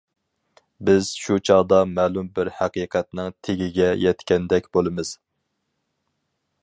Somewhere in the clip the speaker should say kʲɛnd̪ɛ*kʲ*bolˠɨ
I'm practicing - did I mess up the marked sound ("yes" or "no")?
no